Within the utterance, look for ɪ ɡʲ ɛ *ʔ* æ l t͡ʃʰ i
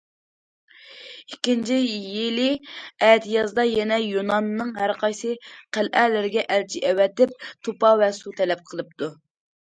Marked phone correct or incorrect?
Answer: correct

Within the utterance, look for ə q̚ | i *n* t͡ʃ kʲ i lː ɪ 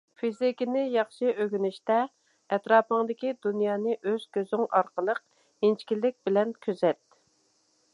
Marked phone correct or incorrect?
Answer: correct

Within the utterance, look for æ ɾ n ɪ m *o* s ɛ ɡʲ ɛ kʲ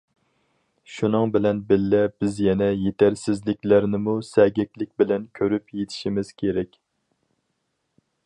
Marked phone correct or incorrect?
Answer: incorrect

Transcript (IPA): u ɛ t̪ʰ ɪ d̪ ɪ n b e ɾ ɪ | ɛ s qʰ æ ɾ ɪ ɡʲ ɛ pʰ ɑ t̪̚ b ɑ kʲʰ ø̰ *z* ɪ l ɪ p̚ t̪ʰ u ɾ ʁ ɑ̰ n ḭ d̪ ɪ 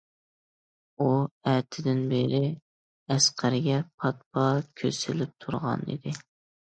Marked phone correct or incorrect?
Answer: incorrect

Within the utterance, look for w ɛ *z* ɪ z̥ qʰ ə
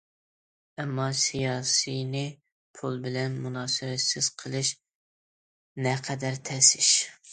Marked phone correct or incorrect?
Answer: incorrect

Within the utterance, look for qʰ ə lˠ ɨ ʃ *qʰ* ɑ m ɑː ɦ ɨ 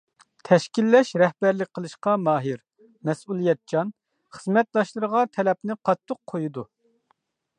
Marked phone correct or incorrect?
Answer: incorrect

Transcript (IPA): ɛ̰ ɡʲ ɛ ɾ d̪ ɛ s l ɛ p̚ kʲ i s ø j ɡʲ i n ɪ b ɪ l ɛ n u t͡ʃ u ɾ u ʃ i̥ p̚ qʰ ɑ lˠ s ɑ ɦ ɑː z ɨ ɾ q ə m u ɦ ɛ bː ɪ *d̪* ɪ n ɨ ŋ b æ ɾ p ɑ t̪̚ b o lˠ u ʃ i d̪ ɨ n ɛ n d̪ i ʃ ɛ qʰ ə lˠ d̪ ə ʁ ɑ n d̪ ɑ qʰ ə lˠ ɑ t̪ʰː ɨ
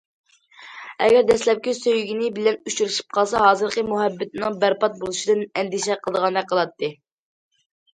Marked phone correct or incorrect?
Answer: incorrect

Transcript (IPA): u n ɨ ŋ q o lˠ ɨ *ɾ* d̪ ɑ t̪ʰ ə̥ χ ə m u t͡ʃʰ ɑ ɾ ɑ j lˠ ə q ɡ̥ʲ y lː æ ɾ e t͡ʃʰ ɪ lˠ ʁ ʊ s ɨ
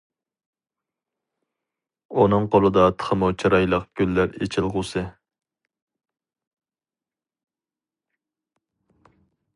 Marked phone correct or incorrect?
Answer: incorrect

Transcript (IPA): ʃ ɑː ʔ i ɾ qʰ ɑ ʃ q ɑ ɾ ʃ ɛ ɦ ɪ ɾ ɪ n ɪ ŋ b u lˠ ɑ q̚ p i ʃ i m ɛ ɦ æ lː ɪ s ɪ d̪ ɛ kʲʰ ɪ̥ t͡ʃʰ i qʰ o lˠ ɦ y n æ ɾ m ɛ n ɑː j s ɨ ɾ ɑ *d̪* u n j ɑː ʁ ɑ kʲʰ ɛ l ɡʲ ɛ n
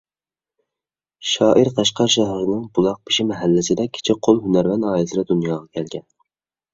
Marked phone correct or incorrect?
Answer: correct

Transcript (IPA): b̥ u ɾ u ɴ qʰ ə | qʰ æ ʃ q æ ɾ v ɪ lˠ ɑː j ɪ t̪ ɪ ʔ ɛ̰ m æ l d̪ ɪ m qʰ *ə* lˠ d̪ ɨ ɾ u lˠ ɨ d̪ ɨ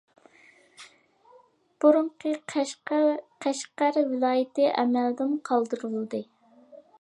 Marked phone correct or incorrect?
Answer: incorrect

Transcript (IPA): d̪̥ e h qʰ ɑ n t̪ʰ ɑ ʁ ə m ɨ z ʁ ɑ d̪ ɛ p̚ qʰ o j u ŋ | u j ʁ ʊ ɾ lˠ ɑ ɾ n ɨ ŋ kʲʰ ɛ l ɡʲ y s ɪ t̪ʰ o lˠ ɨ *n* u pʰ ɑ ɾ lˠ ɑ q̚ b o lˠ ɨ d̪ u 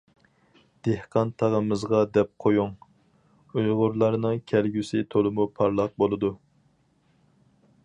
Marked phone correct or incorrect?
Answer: incorrect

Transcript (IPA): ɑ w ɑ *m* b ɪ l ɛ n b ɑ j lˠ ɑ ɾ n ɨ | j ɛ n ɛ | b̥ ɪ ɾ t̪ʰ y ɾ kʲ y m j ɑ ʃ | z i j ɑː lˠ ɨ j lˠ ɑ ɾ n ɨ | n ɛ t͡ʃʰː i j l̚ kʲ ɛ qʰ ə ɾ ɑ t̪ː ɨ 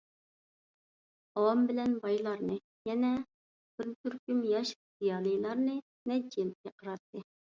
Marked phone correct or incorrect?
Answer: correct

